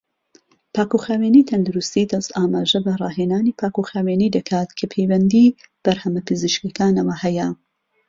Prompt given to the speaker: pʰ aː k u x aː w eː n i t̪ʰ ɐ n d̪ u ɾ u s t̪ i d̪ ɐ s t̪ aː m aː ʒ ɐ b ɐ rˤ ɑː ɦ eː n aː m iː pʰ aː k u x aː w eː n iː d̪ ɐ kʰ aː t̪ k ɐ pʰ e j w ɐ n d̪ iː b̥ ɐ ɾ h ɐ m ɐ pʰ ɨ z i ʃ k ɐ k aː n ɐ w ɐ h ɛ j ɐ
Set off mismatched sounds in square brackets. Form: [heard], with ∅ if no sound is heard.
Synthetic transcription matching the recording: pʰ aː k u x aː w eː n i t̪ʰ ɐ n d̪ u ɾ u s t̪ i d̪ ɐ s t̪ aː m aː ʒ ɐ b ɐ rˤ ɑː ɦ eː n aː [n] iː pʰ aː k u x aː w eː n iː d̪ ɐ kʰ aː t̪ [kʰ] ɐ pʰ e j w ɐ n d̪ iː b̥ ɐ ɾ h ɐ m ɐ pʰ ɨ z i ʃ k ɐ k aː n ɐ w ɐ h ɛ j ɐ